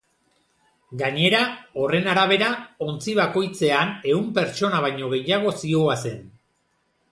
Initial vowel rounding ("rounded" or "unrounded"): unrounded